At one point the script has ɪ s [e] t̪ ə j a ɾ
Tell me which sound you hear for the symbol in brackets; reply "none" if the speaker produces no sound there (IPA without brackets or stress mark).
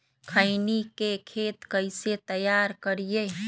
e